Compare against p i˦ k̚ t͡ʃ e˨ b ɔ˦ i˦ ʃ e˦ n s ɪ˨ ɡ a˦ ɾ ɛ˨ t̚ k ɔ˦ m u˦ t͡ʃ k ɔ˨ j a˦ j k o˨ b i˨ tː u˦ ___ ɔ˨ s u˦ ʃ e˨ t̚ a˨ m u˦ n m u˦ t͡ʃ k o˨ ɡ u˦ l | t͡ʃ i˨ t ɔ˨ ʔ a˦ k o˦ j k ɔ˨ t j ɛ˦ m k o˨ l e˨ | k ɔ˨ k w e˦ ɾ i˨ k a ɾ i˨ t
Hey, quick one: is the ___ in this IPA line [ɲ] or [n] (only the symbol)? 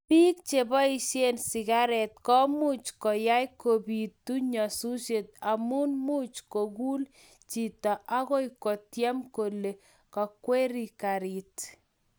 ɲ